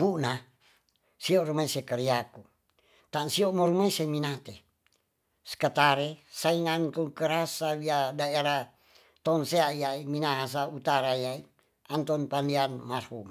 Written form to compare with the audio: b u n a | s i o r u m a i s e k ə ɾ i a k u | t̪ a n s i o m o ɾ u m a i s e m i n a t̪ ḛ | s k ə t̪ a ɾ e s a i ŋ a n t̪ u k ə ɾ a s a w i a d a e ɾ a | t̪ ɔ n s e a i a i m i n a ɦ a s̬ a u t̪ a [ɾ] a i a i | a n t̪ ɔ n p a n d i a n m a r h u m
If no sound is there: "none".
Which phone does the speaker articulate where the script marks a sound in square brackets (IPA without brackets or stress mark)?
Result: ɾ